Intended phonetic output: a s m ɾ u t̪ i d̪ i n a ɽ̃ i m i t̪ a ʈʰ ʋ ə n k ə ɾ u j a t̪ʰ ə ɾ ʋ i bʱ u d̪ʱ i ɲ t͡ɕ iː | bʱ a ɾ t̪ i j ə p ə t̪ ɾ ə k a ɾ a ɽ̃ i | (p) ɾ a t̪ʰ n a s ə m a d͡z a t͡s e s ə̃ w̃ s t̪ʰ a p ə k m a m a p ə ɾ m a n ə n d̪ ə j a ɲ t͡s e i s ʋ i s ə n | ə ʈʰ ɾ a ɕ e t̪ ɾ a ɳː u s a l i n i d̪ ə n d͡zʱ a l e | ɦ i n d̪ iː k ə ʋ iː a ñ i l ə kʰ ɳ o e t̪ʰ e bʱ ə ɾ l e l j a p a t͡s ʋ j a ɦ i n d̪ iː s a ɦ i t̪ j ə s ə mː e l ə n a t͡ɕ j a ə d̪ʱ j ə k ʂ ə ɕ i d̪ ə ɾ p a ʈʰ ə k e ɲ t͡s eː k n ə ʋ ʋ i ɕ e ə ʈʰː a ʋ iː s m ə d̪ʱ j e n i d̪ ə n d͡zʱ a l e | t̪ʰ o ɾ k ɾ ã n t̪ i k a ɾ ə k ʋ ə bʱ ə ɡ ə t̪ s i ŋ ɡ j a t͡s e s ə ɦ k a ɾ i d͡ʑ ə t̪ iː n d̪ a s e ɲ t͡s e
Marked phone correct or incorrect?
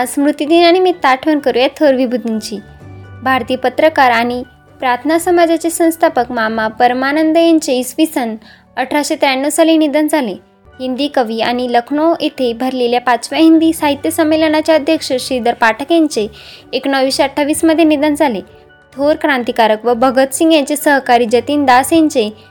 correct